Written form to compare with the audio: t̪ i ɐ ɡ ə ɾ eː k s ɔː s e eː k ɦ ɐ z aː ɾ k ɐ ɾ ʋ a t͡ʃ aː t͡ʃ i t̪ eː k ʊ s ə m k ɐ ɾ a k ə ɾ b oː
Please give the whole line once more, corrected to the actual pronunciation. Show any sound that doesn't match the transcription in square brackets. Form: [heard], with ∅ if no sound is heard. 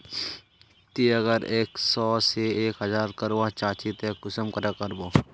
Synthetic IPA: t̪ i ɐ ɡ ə ɾ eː k s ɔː s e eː k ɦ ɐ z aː ɾ k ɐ ɾ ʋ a t͡ʃ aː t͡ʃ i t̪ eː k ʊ s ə m k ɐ ɾ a k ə ɾ b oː

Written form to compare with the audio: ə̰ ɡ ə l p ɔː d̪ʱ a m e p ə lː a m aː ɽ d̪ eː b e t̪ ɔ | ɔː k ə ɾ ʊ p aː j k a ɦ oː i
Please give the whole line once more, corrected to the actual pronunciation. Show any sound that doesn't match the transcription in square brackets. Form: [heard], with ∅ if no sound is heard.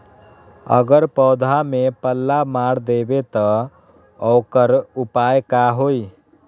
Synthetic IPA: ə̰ ɡ ə [ɾ] p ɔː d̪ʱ a m e p ə lː a m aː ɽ d̪ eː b e t̪ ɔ | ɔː k ə ɾ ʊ p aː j k a ɦ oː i

